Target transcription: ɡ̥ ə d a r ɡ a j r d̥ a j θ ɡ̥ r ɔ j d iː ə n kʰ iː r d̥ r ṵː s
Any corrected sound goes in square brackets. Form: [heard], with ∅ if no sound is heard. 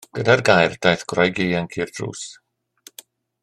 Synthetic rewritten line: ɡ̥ ə d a r ɡ a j r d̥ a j θ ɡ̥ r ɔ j [ɡ] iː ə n kʰ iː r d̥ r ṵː s